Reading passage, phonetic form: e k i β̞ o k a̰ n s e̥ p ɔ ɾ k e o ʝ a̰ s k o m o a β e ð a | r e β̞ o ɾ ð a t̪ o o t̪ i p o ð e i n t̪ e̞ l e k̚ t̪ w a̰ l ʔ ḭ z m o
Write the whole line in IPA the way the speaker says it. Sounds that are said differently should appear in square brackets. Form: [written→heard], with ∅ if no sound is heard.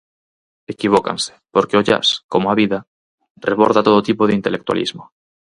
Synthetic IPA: e k i β̞ o k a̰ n s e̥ p [ɔ→o] ɾ k e o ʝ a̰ s k o m o a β [e→i] ð a | r e β̞ o ɾ ð a t̪ o o t̪ i p o ð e i n t̪ e̞ l e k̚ t̪ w a̰ l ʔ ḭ z m o